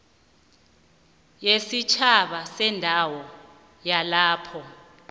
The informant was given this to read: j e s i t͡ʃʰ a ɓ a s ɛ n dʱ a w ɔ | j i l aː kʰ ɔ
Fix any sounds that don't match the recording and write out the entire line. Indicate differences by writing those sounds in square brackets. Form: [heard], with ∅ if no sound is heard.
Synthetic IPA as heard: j e s i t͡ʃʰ a ɓ a s ɛ n dʱ a w ɔ | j [a] l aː [pʰ] ɔ